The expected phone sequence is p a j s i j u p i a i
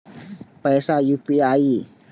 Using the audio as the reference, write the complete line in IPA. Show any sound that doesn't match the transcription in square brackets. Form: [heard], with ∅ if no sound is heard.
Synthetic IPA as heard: p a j s [a] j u p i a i